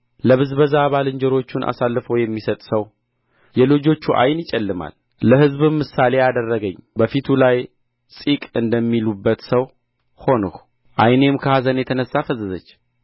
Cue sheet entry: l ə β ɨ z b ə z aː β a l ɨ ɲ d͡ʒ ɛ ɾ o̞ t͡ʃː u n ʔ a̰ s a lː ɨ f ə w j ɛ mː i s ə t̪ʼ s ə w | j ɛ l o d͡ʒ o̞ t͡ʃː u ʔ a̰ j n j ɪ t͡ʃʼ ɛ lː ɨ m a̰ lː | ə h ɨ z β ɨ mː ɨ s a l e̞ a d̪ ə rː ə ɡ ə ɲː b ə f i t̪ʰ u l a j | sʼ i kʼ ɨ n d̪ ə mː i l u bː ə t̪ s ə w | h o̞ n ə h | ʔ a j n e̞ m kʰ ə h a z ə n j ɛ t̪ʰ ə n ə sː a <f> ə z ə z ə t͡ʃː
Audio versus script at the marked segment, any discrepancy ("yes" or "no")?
no